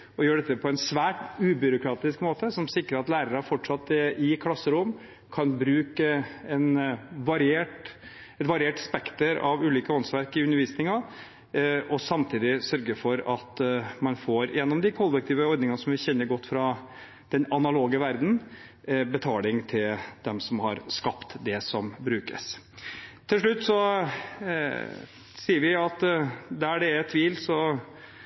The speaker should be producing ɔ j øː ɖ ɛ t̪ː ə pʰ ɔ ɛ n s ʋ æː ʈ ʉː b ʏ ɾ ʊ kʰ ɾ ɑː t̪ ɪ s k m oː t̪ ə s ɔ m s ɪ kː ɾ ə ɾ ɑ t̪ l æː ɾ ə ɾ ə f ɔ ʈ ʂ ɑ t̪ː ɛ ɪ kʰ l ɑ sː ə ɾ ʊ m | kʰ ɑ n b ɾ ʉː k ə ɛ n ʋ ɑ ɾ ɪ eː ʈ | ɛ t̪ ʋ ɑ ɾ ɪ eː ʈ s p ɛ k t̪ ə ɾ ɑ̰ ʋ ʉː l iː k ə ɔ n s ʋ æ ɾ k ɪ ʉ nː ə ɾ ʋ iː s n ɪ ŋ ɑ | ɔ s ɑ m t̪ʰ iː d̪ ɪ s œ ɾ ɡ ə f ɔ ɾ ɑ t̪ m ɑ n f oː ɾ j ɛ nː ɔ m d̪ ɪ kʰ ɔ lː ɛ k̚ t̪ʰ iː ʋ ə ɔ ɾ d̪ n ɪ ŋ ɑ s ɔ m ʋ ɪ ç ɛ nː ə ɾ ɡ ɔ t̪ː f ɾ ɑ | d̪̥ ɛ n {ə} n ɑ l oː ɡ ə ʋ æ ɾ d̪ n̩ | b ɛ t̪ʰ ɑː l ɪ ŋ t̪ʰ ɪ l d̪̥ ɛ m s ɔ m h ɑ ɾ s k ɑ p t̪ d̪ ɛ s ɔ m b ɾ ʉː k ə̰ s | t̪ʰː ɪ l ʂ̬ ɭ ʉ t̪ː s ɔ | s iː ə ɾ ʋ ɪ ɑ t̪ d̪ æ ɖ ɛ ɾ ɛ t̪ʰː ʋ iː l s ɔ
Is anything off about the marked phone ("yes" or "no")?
yes